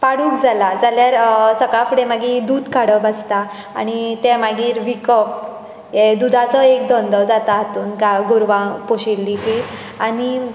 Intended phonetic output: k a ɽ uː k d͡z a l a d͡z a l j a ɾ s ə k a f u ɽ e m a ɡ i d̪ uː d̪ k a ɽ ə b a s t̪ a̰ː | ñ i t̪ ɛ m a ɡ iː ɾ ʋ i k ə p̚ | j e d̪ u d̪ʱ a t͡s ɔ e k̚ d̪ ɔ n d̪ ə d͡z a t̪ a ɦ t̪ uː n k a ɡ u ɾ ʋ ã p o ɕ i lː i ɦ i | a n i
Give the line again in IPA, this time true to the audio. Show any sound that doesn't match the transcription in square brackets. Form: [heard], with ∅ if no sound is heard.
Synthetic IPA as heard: [p] a ɽ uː k d͡z a l a d͡z a l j a ɾ s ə k a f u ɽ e m a ɡ i d̪ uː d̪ k a ɽ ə b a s t̪ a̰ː | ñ i t̪ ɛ m a ɡ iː ɾ ʋ i k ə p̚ | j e d̪ u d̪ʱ a t͡s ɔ e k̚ d̪ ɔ n d̪ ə d͡z a t̪ a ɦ t̪ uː n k a ɡ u ɾ ʋ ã p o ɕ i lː i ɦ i | a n i